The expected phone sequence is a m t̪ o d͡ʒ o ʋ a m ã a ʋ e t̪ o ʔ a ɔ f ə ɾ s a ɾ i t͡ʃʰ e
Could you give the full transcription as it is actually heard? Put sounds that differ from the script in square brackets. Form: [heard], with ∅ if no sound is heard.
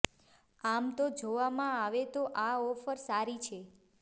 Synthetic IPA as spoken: a m t̪ o d͡ʒ o ʋ a m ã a ʋ e t̪ o ʔ a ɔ f ə ɾ s a ɾ i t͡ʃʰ e